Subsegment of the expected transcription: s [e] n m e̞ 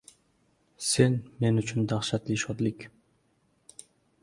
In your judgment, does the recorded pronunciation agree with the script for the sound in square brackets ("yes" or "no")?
yes